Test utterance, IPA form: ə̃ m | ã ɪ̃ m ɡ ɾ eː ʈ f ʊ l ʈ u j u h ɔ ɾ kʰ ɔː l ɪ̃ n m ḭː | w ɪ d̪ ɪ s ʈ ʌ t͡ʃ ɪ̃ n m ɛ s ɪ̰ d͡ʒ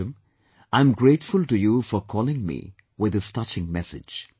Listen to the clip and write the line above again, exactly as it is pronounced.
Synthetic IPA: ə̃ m | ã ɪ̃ m ɡ ɾ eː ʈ f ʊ l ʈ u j u f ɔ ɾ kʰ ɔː l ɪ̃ ŋ m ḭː | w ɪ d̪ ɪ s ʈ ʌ t͡ʃ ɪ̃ ŋ m ɛ s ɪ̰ d͡ʒ